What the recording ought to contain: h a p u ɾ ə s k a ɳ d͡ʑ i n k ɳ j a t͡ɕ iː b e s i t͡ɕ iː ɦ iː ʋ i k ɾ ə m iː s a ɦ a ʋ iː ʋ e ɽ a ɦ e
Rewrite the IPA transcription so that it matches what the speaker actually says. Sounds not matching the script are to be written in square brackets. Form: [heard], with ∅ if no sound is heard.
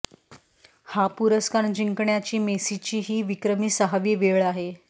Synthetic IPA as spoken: h a p u ɾ ə s k a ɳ d͡ʑ i [ŋ] k ɳ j a t͡ɕ iː [m] e s i t͡ɕ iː ɦ iː ʋ i k ɾ ə m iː s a ɦ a ʋ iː ʋ e [ɭ] a ɦ e